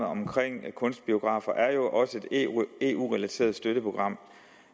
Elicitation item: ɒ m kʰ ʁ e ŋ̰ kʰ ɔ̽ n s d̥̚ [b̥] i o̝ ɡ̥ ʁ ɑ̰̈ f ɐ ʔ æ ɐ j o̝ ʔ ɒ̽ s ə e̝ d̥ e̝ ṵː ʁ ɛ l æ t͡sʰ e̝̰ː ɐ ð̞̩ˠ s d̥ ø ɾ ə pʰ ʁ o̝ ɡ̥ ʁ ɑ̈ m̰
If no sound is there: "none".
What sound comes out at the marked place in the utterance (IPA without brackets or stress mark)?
b̥